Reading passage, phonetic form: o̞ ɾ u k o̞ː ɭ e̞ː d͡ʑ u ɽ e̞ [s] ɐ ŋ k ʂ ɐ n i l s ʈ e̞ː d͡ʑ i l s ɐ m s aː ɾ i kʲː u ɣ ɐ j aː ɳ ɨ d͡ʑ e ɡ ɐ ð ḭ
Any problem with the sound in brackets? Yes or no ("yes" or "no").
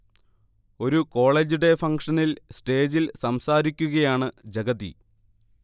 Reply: yes